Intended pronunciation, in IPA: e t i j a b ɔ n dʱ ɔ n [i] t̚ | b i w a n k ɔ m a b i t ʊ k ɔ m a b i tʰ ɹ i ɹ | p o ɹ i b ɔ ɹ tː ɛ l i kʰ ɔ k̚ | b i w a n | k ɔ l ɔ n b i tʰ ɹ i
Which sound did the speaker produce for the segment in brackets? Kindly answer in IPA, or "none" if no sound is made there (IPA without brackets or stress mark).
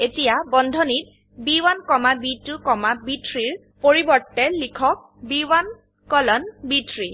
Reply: i